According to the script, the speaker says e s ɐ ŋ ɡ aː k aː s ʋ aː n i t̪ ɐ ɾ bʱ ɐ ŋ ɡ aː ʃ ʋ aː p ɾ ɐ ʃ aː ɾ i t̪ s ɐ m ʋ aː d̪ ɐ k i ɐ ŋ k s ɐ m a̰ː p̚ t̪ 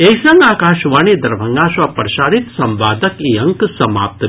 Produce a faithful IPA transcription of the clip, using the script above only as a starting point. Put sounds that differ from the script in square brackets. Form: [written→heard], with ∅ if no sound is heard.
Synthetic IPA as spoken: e s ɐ ŋ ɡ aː k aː [s→ʃ] ʋ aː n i [t̪→d̪] ɐ ɾ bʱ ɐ ŋ ɡ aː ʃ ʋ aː p ɾ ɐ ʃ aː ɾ i t̪ s ɐ m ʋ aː d̪ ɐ k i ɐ ŋ k s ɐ m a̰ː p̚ t̪